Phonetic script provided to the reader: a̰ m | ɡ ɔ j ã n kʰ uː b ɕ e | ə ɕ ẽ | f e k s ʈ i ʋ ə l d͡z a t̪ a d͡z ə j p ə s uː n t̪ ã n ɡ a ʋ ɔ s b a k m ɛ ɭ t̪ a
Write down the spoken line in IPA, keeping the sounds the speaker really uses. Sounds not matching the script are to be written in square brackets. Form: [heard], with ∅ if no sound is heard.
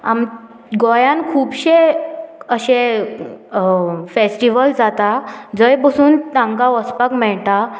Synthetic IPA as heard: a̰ m | ɡ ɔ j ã n kʰ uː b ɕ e | ə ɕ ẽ | f e [∅] s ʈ i ʋ ə l d͡z a t̪ a d͡z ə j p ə s uː n t̪ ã [ŋ] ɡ a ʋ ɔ s [p] a k m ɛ ɭ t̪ a